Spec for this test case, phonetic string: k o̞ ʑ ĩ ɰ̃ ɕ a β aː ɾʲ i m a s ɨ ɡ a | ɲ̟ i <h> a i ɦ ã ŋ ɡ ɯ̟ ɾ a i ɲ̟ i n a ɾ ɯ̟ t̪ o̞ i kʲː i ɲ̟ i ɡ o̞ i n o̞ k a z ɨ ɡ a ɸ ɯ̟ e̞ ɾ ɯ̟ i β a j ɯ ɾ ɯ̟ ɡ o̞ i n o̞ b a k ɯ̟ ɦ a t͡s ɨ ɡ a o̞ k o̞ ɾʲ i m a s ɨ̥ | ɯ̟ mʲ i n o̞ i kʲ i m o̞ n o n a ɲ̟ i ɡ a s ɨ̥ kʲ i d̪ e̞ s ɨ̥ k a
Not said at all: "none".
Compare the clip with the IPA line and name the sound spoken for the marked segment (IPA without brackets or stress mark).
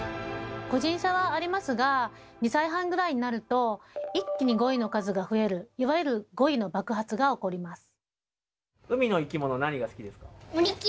s